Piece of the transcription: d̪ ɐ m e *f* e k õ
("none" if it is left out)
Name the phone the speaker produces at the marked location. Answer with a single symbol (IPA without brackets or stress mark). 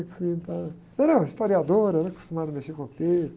ʃ